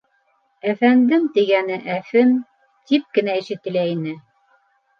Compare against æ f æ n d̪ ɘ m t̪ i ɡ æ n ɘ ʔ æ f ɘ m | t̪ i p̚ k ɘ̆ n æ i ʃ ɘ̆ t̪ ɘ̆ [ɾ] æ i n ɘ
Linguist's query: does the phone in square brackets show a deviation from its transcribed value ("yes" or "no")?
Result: yes